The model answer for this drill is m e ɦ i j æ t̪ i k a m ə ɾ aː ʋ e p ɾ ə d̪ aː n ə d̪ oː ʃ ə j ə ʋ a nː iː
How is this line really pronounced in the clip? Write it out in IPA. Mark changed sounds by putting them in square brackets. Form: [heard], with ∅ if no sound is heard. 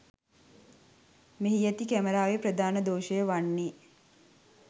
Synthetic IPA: m e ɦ i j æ t̪ i k [æ] m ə ɾ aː ʋ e p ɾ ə d̪ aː n ə d̪ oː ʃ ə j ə ʋ a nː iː